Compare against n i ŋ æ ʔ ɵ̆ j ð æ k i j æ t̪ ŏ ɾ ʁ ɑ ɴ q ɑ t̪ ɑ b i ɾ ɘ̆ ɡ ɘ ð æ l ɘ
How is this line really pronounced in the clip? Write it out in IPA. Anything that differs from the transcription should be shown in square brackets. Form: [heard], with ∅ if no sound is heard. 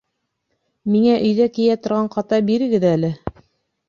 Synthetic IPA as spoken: [m] i ŋ æ ʔ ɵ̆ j ð æ k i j æ t̪ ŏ ɾ ʁ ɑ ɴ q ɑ t̪ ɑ b i ɾ ɘ̆ ɡ ɘ ð æ l ɘ